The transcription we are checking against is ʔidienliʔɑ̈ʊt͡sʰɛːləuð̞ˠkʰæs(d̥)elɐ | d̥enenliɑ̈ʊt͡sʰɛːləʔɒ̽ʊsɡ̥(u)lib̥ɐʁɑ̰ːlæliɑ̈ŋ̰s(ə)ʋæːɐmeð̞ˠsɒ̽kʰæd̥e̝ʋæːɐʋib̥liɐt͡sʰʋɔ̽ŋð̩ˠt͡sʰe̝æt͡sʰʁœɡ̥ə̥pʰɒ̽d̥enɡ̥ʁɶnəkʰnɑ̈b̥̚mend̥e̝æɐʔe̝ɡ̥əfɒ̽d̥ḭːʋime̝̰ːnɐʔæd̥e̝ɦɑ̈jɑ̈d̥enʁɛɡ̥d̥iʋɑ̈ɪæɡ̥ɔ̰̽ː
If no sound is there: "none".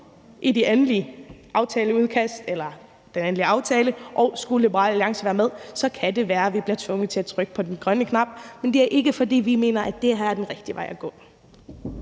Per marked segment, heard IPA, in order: d̥, u, ə

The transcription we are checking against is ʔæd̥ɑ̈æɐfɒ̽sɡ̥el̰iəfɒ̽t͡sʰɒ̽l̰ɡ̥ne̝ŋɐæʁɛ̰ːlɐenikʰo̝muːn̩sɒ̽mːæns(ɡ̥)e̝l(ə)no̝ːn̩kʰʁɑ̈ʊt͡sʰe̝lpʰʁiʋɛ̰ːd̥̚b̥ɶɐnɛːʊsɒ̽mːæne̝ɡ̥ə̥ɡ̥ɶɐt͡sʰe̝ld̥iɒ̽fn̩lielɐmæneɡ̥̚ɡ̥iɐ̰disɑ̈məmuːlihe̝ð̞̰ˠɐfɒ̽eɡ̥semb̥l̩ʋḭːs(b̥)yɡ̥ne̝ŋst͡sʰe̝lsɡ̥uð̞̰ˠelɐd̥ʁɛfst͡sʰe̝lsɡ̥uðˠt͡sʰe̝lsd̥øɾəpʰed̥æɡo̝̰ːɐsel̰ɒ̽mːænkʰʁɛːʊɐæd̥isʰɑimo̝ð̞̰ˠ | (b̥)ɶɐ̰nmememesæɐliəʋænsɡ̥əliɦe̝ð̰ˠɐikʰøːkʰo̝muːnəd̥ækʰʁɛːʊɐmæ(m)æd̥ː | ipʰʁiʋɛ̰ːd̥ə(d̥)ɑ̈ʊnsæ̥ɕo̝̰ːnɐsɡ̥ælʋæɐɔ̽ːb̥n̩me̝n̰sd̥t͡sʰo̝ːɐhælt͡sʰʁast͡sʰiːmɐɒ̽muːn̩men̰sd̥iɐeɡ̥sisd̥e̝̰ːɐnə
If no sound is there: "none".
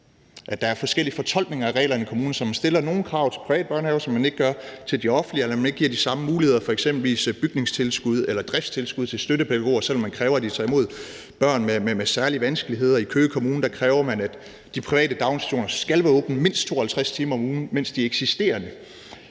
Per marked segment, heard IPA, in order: d̥, ɐ, b̥, b̥, n, d̥

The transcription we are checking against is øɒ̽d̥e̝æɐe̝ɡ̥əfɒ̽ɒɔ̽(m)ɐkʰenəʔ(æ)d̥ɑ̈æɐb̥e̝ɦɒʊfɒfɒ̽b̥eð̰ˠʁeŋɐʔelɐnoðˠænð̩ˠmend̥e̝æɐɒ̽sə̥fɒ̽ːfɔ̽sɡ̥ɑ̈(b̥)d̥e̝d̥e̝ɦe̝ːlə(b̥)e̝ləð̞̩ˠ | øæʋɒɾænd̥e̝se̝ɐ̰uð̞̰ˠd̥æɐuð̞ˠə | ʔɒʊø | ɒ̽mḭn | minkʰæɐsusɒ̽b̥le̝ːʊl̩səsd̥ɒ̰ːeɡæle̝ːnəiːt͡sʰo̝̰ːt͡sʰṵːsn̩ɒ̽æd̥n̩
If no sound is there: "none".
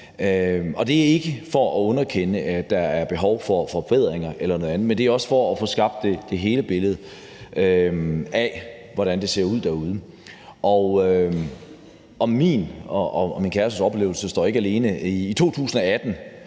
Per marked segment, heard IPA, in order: n, æ, b̥, b̥

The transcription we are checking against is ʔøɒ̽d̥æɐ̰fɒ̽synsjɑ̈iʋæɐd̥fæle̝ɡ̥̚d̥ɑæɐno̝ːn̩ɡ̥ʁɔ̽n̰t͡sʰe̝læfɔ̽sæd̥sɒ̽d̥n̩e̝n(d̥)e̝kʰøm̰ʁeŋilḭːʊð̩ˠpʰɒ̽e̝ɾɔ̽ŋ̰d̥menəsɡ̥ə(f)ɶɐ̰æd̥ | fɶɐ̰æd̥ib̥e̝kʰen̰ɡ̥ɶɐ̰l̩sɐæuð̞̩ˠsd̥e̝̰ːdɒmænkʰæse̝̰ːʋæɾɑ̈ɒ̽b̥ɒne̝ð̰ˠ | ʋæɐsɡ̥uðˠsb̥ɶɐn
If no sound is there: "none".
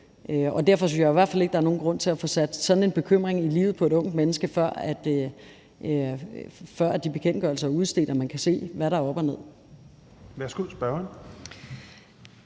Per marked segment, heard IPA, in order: b̥, f

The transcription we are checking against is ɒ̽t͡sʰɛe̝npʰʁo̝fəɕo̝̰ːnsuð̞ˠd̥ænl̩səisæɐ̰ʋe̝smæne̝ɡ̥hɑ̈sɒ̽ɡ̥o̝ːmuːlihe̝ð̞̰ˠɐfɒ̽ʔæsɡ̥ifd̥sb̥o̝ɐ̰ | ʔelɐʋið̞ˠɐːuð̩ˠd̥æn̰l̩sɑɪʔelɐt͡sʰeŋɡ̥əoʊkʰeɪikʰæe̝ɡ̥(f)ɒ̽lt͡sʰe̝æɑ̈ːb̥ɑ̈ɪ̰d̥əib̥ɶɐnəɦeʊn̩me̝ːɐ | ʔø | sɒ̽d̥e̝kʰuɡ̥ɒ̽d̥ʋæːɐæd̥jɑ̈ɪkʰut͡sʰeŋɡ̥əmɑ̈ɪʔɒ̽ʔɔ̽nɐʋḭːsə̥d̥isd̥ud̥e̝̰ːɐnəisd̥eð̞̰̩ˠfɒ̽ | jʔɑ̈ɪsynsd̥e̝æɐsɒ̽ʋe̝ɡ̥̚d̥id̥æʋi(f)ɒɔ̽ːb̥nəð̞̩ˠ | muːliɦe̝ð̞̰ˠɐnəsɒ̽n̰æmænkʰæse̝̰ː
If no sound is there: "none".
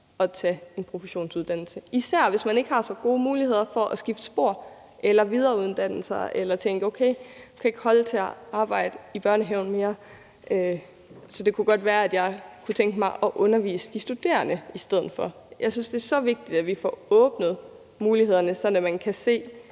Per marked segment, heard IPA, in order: h, f

